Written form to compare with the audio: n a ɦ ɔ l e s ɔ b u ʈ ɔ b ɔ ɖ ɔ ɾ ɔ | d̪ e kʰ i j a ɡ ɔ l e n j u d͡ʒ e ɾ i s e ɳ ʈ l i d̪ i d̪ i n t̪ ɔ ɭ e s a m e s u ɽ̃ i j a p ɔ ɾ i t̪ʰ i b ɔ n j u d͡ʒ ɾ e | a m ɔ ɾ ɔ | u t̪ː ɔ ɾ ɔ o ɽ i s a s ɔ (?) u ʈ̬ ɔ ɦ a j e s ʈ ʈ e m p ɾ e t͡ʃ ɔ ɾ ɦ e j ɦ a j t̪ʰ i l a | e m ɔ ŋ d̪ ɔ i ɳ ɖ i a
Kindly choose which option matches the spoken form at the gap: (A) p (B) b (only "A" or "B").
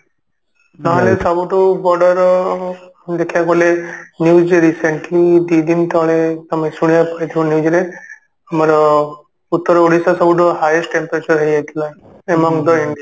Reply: B